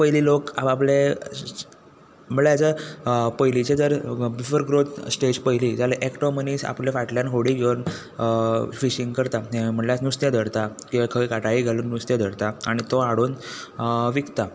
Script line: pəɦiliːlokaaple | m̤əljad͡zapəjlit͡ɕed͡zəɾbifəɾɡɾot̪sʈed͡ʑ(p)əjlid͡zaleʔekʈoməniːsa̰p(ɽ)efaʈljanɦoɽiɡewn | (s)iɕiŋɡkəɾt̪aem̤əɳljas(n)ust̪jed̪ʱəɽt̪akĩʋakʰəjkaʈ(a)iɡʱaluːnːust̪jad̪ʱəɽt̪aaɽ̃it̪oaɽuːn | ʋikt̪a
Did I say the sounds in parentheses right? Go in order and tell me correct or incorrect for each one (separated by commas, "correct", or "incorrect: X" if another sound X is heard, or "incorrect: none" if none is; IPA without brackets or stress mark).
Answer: correct, incorrect: l, incorrect: f, correct, correct